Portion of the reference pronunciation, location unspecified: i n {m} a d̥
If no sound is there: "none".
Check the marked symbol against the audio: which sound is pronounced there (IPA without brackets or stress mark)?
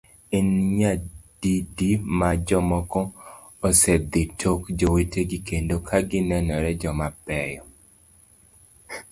ɲ